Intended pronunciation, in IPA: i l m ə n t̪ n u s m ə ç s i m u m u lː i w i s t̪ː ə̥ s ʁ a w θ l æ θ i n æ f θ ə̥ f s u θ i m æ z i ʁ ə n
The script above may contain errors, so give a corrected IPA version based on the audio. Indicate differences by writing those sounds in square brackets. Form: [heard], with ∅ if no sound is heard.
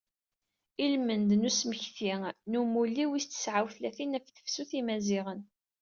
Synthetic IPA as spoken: i l m ə n [d̪] n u s m ə ç [θ] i [n] u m u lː i w i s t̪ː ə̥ s [ʕ] a w θ l æ θ i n æ f θ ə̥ f s u θ i m æ z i ʁ ə n